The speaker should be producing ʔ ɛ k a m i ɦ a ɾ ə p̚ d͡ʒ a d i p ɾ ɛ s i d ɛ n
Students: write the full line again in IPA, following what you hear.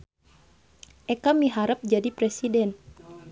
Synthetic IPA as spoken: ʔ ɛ k a m i ɦ a ɾ ə p̚ d͡ʒ a d i p ɾ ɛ s i d ɛ n